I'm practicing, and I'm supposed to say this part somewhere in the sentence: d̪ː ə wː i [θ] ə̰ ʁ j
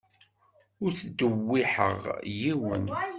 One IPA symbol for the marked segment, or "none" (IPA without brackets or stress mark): ħ